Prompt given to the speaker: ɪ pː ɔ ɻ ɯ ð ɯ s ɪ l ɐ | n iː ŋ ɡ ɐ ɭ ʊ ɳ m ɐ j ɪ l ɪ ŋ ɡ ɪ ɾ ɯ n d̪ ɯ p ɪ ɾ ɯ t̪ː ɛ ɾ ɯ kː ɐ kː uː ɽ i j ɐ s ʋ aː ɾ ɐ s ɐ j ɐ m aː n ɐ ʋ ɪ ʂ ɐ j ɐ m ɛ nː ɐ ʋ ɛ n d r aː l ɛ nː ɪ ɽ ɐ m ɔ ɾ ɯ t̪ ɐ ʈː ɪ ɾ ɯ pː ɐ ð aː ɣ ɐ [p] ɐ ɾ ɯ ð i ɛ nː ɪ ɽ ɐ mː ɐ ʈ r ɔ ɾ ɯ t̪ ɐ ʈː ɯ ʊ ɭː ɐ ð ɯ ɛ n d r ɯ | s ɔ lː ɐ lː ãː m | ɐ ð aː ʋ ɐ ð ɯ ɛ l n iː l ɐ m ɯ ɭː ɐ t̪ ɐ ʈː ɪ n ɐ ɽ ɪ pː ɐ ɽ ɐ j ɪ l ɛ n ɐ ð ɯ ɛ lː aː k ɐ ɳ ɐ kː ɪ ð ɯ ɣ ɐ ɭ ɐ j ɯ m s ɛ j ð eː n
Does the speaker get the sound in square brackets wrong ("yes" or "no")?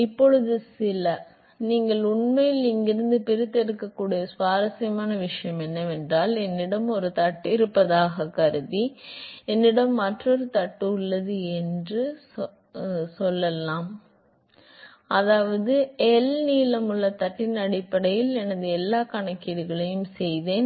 yes